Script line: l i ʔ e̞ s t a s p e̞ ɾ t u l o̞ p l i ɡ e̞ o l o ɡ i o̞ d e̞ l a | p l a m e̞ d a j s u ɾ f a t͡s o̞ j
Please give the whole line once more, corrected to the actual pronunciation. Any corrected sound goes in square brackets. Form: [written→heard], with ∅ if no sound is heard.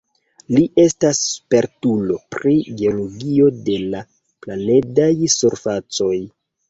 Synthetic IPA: l i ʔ e̞ s t a s p e̞ ɾ t u l o̞ p [l→ɾ] i ɡ e̞ o l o ɡ i o̞ d e̞ l a | p l a [m→n] e̞ d a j s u ɾ f a t͡s o̞ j